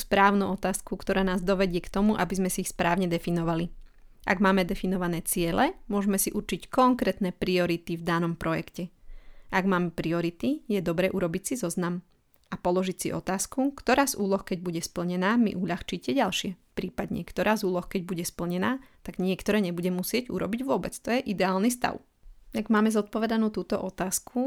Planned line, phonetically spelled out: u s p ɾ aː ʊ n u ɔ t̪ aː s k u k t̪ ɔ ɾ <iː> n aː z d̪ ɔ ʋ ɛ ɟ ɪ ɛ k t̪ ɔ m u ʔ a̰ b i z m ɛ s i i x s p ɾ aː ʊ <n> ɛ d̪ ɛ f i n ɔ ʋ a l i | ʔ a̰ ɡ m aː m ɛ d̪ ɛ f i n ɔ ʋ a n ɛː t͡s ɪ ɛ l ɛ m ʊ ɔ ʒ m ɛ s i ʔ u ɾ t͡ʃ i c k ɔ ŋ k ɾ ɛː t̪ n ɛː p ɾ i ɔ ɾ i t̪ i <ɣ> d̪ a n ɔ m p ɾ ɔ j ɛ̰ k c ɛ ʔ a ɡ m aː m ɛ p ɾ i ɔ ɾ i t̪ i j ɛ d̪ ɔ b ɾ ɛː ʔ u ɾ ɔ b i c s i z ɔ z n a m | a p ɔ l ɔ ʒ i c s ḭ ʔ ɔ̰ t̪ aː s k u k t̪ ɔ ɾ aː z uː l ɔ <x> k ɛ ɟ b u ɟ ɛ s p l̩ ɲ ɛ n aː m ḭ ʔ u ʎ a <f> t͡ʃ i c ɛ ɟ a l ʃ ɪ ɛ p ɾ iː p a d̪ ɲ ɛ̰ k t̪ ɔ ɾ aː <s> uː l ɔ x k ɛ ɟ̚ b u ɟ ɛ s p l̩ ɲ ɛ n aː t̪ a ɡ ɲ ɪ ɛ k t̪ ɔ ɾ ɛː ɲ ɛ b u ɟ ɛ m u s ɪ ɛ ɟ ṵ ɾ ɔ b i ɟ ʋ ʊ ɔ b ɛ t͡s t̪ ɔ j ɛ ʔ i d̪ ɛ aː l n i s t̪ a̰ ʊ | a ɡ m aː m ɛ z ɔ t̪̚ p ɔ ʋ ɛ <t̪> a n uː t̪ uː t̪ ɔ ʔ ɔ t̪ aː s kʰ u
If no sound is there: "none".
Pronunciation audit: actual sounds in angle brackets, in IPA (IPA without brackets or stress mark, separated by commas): aː, ɲ, v, x, x, z, d̪